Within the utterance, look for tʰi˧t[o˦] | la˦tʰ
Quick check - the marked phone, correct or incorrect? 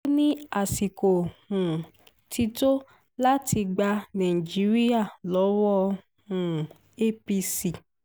correct